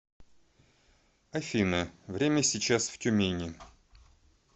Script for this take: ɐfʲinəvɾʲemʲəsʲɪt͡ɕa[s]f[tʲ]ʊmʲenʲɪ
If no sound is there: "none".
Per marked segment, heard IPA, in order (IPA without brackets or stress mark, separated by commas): s, tʲ